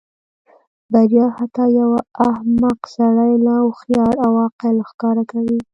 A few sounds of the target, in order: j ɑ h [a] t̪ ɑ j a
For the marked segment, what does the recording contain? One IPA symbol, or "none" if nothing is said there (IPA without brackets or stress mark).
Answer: a